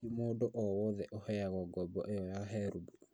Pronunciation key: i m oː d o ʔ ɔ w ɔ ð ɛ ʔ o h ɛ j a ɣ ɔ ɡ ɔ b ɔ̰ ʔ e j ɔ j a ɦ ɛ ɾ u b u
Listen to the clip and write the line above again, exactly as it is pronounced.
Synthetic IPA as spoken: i m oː d o ʔ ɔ w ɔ ð ɛ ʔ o h ɛ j a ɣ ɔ ɡ ɔ b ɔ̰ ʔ e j ɔ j a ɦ ɛ ɾ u b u